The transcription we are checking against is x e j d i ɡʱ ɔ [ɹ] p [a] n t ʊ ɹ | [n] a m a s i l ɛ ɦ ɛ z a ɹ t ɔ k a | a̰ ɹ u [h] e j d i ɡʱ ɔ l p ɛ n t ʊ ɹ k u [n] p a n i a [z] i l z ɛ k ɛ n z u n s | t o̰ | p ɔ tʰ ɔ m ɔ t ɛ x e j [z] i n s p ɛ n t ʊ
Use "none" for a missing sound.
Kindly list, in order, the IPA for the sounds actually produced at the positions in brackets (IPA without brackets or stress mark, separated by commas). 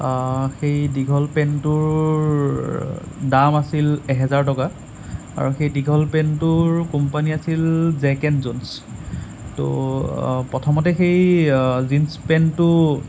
l, ɛ, d, x, m, s, z